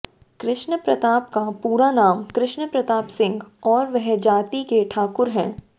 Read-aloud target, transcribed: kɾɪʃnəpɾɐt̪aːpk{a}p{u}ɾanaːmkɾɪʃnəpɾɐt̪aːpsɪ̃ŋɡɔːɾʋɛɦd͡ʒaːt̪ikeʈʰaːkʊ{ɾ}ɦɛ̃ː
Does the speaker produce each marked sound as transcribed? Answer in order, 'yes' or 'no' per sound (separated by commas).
yes, no, yes